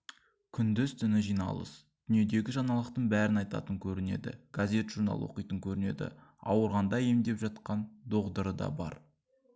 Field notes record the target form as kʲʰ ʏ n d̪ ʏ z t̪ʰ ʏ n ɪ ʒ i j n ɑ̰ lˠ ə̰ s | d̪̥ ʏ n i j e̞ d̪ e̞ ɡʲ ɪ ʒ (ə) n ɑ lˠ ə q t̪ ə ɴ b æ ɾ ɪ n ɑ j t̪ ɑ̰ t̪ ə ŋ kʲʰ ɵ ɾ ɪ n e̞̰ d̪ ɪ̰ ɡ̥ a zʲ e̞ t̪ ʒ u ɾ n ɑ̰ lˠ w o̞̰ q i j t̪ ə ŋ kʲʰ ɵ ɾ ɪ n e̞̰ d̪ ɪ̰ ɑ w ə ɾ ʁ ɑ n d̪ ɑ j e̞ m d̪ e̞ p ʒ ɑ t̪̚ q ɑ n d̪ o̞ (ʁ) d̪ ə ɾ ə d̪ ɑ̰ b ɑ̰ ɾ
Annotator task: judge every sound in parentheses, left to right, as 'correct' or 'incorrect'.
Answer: incorrect: ɑ, correct

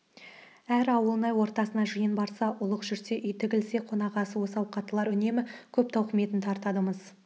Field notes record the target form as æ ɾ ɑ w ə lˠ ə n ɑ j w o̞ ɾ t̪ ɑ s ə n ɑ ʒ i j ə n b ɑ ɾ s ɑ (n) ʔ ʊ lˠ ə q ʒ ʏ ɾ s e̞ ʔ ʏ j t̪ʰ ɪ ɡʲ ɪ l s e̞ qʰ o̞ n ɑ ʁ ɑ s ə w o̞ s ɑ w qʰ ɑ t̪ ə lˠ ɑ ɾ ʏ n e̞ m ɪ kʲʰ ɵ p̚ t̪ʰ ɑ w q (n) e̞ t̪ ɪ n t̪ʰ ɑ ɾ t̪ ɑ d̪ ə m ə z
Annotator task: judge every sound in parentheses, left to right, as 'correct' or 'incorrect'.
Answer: incorrect: none, incorrect: m

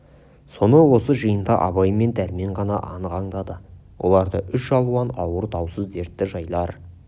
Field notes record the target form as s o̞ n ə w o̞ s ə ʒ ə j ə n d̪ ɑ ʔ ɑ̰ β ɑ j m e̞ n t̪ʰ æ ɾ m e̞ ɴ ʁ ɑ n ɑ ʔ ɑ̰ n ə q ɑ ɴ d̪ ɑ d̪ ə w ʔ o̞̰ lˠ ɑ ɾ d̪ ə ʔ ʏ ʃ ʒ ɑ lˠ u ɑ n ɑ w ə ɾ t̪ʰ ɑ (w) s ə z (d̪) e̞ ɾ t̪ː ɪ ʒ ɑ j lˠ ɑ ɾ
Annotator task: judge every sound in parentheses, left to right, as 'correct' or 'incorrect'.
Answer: correct, correct

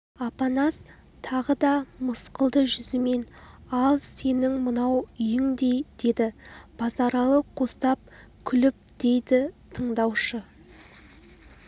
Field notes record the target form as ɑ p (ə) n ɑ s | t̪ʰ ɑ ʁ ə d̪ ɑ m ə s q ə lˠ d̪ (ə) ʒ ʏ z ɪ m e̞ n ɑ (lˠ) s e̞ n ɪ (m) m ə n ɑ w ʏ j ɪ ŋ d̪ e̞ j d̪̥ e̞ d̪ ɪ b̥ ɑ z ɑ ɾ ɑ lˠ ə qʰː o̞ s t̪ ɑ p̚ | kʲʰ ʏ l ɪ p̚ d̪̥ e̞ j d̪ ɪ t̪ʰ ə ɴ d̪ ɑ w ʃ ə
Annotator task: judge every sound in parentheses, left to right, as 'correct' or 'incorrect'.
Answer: incorrect: ɑ, correct, correct, incorrect: ŋ

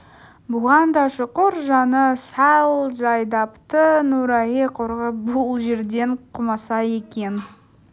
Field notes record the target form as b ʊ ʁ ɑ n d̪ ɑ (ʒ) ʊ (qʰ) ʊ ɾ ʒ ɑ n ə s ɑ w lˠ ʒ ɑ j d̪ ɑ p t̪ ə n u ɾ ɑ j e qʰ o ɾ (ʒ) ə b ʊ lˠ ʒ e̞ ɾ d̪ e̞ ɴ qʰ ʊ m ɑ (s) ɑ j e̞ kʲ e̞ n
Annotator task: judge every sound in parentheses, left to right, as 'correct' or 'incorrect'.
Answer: incorrect: ʃ, incorrect: q, incorrect: ʁ, correct

